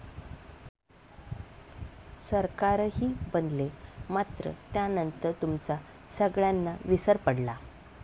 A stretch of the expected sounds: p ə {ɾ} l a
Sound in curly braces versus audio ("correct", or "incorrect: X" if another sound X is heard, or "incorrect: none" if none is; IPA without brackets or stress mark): incorrect: ɽ